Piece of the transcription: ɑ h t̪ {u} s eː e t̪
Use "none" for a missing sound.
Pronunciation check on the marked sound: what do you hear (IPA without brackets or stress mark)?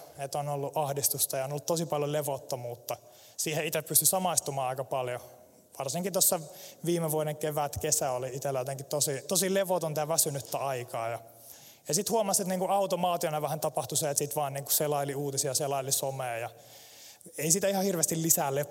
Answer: u